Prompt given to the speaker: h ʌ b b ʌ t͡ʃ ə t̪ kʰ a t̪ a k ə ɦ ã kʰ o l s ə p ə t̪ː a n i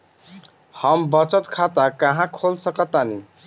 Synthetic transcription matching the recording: h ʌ m b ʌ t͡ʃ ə t̪ kʰ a t̪ a k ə ɦ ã kʰ o l s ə k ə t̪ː a n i